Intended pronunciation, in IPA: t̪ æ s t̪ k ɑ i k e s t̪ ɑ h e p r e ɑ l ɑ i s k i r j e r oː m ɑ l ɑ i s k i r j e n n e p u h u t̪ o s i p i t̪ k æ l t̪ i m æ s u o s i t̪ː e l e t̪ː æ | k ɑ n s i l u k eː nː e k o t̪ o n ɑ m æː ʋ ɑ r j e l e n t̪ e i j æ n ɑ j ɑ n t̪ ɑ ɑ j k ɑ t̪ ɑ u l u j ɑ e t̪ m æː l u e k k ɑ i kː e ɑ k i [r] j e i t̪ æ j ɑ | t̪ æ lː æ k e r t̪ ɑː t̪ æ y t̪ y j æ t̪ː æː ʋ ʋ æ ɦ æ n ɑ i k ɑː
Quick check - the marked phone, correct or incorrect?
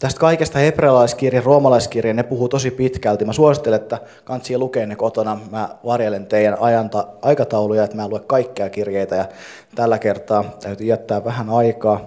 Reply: correct